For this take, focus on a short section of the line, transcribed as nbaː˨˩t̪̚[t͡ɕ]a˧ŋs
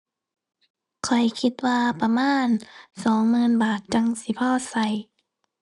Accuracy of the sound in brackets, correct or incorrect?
correct